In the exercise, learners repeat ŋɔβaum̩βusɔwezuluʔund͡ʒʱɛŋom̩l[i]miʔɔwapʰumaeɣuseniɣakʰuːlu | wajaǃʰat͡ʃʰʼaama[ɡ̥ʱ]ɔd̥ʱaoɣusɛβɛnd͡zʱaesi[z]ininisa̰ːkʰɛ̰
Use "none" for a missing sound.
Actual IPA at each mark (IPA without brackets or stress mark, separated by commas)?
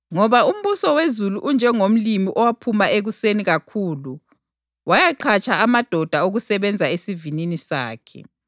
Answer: i, d̥ʱ, v